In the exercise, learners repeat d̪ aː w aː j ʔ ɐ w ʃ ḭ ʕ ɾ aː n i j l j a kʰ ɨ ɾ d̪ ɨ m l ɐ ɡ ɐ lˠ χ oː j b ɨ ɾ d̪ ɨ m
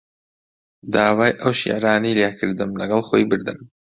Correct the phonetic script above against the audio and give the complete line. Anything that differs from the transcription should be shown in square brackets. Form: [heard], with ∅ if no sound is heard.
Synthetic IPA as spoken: d̪ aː w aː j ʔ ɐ w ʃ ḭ ʕ ɾ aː n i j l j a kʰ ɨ ɾ d̪ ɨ m l ɐ ɡ ɐ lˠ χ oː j b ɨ ɾ d̪ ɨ m